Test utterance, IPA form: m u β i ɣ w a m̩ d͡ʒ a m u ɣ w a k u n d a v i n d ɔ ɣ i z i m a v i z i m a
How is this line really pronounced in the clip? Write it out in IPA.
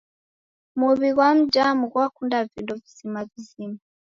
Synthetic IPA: m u β i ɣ w a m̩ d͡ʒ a m u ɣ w a k u n d a v i n d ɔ v i z i m a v i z i m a

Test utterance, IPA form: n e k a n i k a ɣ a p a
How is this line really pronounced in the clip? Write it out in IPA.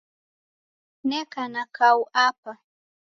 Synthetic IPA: n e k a n a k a w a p a

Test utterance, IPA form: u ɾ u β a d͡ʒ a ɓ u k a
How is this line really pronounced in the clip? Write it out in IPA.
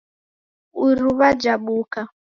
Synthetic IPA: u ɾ u β a d͡ʒ a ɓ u k a

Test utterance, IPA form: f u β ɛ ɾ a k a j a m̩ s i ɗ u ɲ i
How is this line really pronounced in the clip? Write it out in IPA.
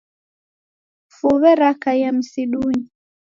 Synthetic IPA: f u β ɛ ɾ a k a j a m̩ s i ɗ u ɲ i

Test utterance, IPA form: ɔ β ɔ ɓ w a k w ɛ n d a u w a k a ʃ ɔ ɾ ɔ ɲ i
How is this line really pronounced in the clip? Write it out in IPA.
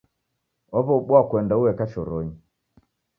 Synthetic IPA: ɔ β ɔ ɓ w a k w ɛ n d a u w ɛ k a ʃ ɔ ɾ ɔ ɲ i

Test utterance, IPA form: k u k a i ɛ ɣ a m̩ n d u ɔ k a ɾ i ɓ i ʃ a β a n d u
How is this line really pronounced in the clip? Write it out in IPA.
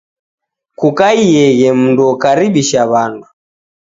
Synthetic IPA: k u k a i ɛ ɣ ɛ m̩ n d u ɔ k a ɾ i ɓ i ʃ a β a n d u

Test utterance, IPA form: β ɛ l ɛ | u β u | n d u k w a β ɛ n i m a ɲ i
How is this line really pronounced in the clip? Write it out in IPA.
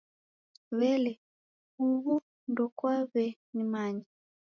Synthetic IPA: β ɛ l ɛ | u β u | n d ɔ k w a β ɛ n i m a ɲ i

